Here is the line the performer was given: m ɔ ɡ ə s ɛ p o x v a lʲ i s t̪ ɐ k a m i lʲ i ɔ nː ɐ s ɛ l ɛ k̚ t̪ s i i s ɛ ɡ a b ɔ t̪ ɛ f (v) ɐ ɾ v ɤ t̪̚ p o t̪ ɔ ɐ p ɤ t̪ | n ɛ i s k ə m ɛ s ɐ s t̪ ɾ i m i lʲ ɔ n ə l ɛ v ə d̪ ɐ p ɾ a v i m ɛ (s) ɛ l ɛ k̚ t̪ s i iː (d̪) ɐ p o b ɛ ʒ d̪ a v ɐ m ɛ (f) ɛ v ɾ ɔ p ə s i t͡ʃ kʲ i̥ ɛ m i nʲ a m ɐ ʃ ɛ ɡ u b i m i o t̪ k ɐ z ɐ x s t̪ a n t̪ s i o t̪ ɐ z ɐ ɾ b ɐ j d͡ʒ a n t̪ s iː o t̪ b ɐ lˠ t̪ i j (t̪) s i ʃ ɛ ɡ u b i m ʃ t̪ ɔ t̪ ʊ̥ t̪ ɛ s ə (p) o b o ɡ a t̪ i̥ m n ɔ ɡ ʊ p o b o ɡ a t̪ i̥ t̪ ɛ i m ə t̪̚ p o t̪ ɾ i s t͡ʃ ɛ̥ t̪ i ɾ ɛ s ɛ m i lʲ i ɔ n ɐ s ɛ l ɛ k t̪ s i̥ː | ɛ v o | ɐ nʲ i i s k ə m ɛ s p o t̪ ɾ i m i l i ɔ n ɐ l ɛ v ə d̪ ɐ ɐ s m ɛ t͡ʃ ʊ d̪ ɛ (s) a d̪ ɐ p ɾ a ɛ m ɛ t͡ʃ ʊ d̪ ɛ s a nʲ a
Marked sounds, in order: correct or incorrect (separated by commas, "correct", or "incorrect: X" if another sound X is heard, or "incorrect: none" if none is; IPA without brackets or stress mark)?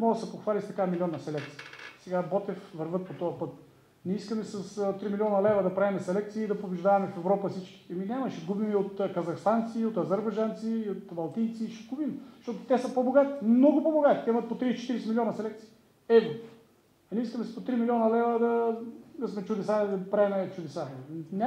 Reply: correct, correct, correct, correct, correct, correct, correct